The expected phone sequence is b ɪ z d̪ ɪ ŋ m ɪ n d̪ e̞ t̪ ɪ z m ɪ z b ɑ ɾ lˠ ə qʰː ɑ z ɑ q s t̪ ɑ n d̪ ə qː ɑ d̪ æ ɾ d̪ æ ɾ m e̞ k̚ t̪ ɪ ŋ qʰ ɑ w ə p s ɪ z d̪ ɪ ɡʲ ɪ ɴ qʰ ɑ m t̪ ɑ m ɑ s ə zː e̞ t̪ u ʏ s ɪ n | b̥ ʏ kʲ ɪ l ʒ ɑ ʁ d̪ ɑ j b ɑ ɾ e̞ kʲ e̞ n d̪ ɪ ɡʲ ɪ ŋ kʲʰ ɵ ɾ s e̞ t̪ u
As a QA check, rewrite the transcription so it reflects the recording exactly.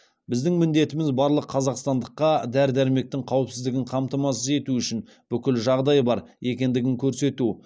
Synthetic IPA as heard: b ɪ z d̪ ɪ ŋ m ɪ n d̪ e̞ t̪ ɪ m ɪ z b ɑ ɾ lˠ ə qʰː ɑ z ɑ q s t̪ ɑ n d̪ ə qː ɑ d̪ æ ɾ d̪ æ ɾ m e̞ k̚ t̪ ɪ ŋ qʰ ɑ w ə p s ɪ z d̪ ɪ ɡʲ ɪ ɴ qʰ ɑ m t̪ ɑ m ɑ s ə z e̞ t̪ u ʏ ʃ ɪ n | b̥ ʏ kʲ ɪ l ʒ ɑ ʁ d̪ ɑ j b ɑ ɾ e̞ kʲ e̞ n d̪ ɪ ɡʲ ɪ ŋ kʲʰ ɵ ɾ s e̞ t̪ u

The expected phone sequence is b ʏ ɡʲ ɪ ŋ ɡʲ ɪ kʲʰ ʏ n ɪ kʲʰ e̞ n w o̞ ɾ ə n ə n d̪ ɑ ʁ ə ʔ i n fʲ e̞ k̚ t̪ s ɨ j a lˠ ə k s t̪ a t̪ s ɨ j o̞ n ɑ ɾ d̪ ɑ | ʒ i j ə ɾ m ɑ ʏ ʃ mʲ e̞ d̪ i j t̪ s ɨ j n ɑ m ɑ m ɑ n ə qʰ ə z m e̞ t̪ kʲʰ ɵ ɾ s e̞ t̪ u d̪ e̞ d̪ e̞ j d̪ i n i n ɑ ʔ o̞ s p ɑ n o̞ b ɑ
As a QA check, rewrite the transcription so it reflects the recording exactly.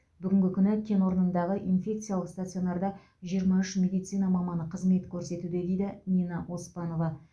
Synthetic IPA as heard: b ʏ ɡʲ ɪ ŋ ɡʲ ɪ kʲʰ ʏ n ɪ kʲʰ e̞ n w o̞ ɾ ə n ə n d̪ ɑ ʁ ə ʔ i n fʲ e̞ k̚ t̪ s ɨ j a lˠ ə q s t̪ a t̪ s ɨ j o̞ n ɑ ɾ d̪ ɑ | ʒ i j ə ɾ m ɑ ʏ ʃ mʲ e̞ d̪ i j t̪ s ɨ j n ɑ m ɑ m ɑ n ə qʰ ə z m e̞ t̪ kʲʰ ɵ ɾ s e̞ t̪ u d̪ e̞ d̪ e̞ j d̪ ɪ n i n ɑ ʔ o̞ s p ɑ n o̞ v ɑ

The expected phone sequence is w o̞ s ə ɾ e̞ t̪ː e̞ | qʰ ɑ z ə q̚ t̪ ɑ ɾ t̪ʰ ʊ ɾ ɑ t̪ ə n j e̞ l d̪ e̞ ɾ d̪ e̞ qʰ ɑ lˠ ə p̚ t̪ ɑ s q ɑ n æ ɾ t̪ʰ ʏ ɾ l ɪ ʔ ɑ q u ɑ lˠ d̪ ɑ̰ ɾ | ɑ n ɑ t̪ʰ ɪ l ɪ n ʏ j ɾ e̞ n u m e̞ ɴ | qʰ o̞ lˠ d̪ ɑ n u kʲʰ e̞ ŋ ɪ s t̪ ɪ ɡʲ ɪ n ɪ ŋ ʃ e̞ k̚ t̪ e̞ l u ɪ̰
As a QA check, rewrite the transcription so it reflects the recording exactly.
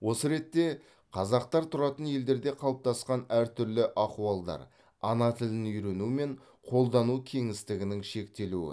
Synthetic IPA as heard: w o̞ s ə ɾ e̞ t̪ː e̞ | qʰ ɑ z ɑ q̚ t̪ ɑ ɾ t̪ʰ ʊ ɾ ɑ t̪ ə n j e̞ l d̪ e̞ ɾ d̪ e̞ qʰ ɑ lˠ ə p̚ t̪ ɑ s q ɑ n æ ɾ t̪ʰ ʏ ɾ l ɪ ʔ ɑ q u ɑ lˠ d̪ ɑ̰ ɾ | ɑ n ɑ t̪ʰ ɪ l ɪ n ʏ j ɾ e̞ n u m e̞ ɴ | qʰ o̞ lˠ d̪ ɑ n u kʲʰ e̞ ŋ ɪ s t̪ ɪ ɡʲ ɪ n ɪ ŋ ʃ e̞ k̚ t̪ e̞ l u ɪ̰

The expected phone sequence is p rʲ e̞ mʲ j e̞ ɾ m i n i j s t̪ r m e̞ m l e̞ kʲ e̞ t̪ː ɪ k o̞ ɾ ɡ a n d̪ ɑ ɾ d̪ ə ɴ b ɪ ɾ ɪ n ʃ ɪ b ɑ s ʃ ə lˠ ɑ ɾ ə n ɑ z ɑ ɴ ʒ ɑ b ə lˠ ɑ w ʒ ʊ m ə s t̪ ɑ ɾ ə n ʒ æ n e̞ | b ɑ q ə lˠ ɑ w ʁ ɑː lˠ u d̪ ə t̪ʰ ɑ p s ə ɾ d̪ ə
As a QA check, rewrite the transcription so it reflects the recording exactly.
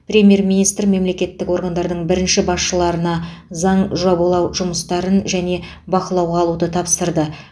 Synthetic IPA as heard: p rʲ e̞ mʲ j e̞ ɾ m i n i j s t̪ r m e̞ m l e̞ kʲ e̞ t̪ː ɪ k o̞ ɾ ɡ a n d̪ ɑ ɾ d̪ ə ɴ b ɪ ɾ ɪ n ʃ ɪ b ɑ s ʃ ə lˠ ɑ ɾ ə n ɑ z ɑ ɴ ʒ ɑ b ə lˠ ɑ w ʒ ʊ m ə s t̪ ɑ ɾ ə n ʒ æ n e̞ | b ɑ q ə lˠ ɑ w ʁ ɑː lˠ u d̪ ə t̪ʰ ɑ p s ə ɾ d̪ ə

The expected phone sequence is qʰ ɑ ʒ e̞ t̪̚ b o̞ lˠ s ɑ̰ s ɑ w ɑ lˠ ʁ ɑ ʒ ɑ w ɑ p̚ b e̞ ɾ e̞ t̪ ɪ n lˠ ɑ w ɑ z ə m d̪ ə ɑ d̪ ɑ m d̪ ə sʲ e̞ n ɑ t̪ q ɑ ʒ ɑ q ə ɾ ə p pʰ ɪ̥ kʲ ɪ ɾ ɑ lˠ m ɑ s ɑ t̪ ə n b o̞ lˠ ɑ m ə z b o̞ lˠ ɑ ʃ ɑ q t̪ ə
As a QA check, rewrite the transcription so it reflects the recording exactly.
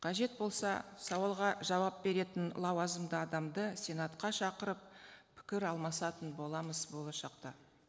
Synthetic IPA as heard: qʰ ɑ ʒ e̞ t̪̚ b o̞ lˠ s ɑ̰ s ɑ w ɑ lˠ ʁ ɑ ʒ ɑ w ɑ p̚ b e̞ ɾ e̞ t̪ ɪ n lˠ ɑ w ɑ z ə m d̪ ə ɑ d̪ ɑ m d̪ ə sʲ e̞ n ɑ t̪ q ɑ ʃ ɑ q ə ɾ ə p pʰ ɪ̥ kʲ ɪ ɾ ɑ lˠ m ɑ s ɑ t̪ ə n b o̞ lˠ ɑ m ə z b o̞ lˠ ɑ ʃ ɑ q t̪ ɑ

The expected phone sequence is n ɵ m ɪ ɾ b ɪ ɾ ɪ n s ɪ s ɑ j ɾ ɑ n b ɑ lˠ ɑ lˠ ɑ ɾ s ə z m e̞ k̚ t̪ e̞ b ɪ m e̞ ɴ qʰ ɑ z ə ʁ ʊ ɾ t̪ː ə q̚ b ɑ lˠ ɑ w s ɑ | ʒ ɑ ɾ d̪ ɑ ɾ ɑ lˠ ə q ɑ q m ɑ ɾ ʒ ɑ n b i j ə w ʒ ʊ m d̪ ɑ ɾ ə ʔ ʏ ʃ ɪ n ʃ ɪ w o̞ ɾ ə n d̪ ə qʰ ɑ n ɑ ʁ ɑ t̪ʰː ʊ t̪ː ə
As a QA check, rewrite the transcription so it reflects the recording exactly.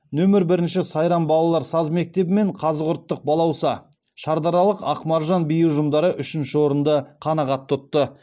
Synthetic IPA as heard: n ɵ m ɪ ɾ b ɪ ɾ ɪ n ʃ ɪ s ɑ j ɾ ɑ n b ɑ lˠ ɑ lˠ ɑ ɾ s ɑ z m e̞ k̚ t̪ e̞ b ɪ m e̞ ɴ qʰ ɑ z ə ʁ ʊ ɾ t̪ː ə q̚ b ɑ lˠ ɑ w s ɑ | ʃ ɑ ɾ d̪ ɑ ɾ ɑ lˠ ə q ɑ q m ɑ ɾ ʒ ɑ n b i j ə w ʒ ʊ m d̪ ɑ ɾ ə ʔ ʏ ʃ ɪ n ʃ ɪ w o̞ ɾ ə n d̪ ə qʰ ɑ n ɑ ʁ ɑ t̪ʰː ʊ t̪ː ə

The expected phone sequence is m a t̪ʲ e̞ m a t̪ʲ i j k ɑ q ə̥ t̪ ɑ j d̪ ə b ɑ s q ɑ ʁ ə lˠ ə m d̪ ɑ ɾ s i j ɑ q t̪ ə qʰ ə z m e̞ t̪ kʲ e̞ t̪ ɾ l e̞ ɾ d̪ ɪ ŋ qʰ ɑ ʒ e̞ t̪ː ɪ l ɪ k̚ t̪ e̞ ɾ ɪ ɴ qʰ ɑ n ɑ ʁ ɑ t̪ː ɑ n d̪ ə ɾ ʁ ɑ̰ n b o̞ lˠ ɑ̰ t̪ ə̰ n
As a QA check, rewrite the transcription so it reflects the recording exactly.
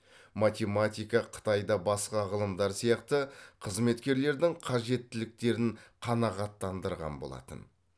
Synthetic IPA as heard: m a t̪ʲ e̞ m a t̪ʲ i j k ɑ qʰ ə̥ t̪ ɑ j d̪ ɑ b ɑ s q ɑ ʁ ə lˠ ə m d̪ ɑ ɾ s i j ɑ q t̪ ə qʰ ə z m e̞ t̪ kʲ e̞ ɾ l e̞ ɾ d̪ ɪ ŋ qʰ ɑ ʒ e̞ t̪ː ɪ l ɪ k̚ t̪ e̞ ɾ ɪ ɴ qʰ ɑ n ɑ ʁ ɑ t̪ː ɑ n d̪ ə ɾ ʁ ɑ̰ n b o̞ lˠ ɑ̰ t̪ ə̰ n

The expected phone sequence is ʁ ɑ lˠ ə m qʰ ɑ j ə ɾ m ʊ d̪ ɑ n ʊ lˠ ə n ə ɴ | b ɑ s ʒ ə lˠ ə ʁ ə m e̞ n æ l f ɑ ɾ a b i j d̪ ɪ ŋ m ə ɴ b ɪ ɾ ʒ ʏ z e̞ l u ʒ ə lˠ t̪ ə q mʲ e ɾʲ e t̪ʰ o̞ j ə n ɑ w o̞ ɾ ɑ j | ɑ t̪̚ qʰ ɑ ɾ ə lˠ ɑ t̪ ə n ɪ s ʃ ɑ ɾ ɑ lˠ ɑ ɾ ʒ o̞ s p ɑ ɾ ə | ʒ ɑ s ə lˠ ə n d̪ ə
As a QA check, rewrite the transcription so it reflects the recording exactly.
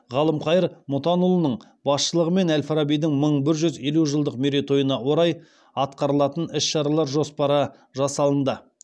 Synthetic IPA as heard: ʁ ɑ lˠ ə m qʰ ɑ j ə ɾ m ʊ t̪ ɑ n ʊ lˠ ə n ə ɴ | b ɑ s ʃ ə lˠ ə ʁ ə m e̞ n æ l f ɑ ɾ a b i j d̪ ɪ ŋ m ə ɴ b ɪ ɾ ʒ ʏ z e̞ l u ʒ ə lˠ d̪ ə q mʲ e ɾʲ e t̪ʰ o̞ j ə n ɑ w o̞ ɾ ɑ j | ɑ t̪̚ q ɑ ɾ ə lˠ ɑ t̪ ə n ɪ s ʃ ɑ ɾ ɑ lˠ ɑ ɾ ʒ o̞ s p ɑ ɾ ə | ʒ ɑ s ɑ lˠ ə n d̪ ə

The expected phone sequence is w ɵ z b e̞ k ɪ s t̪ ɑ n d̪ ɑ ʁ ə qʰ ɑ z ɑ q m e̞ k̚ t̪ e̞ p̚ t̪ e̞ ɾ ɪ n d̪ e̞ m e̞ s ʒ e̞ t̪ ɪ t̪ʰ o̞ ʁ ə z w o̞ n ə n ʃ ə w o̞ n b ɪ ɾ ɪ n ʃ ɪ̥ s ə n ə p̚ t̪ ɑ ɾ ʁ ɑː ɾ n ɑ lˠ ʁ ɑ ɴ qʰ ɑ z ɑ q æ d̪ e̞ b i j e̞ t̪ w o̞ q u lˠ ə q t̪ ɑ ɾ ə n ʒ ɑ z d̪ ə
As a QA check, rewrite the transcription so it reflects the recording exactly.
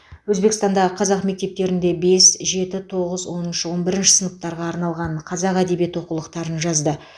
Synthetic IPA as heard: w ɵ z b e̞ k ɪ s t̪ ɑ n d̪ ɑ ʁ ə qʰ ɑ z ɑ q m e̞ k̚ t̪ e̞ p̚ t̪ e̞ ɾ ɪ n d̪ e̞ b e̞ s ʒ e̞ t̪ ɪ t̪ʰ o̞ ʁ ə z w o̞ n ə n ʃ ə w o̞ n b ɪ ɾ ɪ n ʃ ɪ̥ s ə n ə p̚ t̪ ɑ ɾ ʁ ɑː ɾ n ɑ lˠ ʁ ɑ ɴ qʰ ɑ z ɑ q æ d̪ e̞ b i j e̞ t̪ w o̞ q u lˠ ə q t̪ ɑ ɾ ə n ʒ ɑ z d̪ ə

